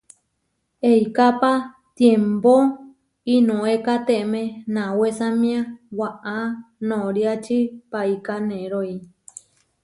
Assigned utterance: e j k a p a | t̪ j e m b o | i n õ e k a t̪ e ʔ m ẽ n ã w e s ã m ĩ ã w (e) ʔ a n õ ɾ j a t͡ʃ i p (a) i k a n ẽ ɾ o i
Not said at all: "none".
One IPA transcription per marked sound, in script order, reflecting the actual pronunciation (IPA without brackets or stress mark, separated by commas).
a, a